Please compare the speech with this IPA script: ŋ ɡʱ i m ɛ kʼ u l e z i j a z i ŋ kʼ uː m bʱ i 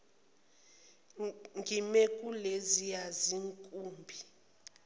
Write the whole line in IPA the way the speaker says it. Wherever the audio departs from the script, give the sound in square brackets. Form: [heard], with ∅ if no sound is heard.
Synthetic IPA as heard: ŋ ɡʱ i m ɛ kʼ u l e z i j a z i ŋ kʼ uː m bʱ i